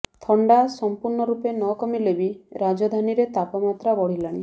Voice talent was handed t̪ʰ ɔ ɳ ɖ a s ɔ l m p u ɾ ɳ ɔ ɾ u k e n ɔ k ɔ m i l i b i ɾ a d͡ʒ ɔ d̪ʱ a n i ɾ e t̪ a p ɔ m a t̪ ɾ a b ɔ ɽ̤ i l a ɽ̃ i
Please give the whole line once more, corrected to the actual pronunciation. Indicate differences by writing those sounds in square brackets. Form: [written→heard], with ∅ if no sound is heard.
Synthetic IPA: t̪ʰ ɔ ɳ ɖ a s ɔ [l→∅] m p u ɾ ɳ ɔ ɾ u [k→p] e n ɔ k ɔ m i l [i→e] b i ɾ a d͡ʒ ɔ d̪ʱ a n i ɾ e t̪ a p ɔ m a t̪ ɾ a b ɔ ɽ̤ i l a ɽ̃ i